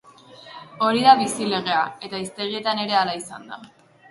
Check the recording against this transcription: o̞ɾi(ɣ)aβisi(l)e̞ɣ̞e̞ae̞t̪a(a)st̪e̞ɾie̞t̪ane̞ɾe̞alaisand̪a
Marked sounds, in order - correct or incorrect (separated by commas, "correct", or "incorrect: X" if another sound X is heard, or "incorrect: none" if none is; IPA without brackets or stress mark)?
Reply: incorrect: ð, correct, incorrect: i